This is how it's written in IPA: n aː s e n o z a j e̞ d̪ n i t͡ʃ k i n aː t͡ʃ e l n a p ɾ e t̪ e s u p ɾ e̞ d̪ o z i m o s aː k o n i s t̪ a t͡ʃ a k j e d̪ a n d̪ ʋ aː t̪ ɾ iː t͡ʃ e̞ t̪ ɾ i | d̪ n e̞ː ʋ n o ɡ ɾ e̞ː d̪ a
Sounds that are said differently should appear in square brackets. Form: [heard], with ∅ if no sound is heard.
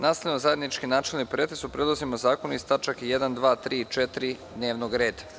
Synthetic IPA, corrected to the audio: n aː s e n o z a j e̞ d̪ n i t͡ʃ k i n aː t͡ʃ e l n [i] p ɾ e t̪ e s u p ɾ e̞ d̪ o z i m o [z] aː k o n i s t̪ a t͡ʃ a k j e d̪ a n d̪ ʋ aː t̪ ɾ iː t͡ʃ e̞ t̪ ɾ i | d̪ n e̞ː ʋ n o ɡ ɾ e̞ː d̪ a